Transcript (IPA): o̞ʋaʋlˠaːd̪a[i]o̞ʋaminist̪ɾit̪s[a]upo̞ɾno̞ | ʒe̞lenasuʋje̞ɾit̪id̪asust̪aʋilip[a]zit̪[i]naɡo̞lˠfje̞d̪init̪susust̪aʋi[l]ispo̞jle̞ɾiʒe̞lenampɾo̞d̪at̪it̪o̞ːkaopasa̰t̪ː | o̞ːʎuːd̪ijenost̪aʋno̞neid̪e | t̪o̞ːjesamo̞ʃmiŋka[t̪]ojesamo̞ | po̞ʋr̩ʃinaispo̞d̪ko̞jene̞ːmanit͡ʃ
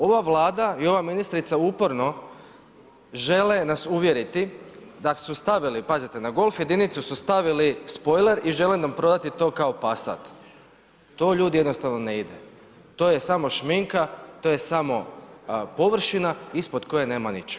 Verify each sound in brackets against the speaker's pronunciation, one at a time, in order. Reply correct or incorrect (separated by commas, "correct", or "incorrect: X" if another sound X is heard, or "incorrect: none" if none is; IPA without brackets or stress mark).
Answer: correct, correct, correct, incorrect: e, correct, correct